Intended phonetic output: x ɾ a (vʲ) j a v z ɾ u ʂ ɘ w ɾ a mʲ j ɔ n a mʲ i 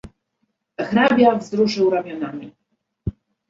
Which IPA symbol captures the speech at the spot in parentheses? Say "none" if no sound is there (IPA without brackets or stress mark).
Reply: bʲ